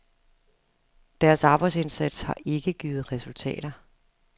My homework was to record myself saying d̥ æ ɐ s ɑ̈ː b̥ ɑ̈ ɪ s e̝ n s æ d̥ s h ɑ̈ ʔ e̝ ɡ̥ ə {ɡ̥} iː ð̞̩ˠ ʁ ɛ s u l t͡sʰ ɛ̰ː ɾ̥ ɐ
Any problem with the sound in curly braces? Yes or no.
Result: no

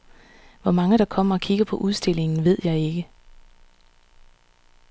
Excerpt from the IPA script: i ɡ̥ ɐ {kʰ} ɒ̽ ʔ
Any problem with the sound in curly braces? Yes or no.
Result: yes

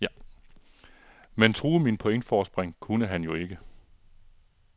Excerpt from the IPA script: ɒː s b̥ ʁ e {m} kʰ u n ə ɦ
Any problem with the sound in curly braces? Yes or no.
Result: yes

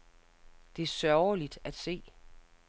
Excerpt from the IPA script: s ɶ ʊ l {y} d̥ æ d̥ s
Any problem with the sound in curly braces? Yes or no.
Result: yes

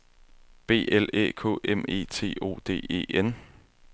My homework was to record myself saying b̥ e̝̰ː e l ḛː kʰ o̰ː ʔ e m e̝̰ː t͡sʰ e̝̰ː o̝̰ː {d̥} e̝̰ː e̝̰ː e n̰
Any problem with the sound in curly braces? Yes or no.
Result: no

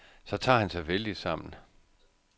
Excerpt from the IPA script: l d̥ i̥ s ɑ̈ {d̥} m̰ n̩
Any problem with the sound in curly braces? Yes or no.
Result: yes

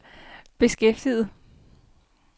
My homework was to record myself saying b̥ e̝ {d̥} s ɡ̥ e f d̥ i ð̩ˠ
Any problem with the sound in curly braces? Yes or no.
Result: yes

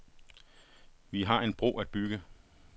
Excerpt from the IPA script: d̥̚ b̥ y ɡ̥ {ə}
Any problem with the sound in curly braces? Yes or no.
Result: no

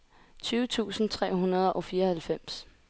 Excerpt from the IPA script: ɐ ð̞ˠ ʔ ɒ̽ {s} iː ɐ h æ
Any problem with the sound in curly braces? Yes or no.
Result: yes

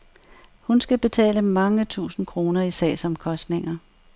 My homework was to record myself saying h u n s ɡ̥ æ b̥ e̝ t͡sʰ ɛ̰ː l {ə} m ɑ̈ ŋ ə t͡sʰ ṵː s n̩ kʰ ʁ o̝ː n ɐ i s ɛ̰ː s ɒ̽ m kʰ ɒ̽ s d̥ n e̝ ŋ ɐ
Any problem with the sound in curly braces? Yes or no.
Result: no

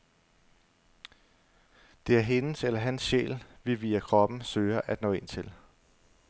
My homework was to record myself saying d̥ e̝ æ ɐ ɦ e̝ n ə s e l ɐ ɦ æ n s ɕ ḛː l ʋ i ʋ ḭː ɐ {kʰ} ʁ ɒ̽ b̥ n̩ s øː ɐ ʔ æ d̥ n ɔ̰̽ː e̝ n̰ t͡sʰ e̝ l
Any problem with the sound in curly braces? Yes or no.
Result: no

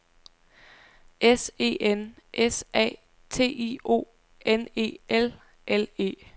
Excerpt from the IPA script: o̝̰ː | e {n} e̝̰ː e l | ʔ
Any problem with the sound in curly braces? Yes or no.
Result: no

